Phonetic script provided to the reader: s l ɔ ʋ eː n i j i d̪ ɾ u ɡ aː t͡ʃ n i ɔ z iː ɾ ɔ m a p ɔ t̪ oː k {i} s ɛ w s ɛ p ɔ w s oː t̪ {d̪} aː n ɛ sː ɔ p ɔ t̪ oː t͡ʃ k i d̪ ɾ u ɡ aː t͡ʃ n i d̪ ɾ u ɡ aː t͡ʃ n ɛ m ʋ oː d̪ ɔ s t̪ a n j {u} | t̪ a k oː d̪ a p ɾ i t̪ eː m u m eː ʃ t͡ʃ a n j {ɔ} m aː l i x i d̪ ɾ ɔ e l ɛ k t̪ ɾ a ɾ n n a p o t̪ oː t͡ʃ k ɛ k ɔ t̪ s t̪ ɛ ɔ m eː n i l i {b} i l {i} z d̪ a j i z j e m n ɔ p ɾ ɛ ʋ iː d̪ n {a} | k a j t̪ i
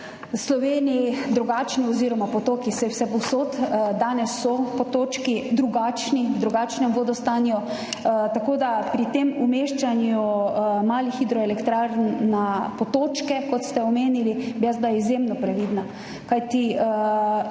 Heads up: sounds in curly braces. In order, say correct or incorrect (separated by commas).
correct, correct, incorrect, incorrect, correct, incorrect, correct